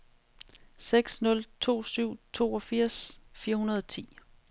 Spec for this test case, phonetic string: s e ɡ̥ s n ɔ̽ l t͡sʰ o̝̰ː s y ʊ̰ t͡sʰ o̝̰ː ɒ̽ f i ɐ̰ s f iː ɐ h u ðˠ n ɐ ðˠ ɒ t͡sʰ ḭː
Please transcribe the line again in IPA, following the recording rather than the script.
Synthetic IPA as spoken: s e ɡ̥ s n ɔ̽ l t͡sʰ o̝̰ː s y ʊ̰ t͡sʰ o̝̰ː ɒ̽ f i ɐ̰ s f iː ɐ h u n ɐ ðˠ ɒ t͡sʰ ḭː